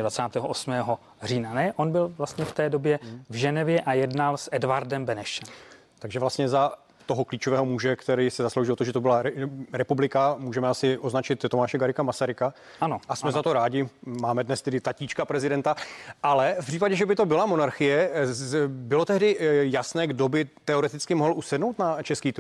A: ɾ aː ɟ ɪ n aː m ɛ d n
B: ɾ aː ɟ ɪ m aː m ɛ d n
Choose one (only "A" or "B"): B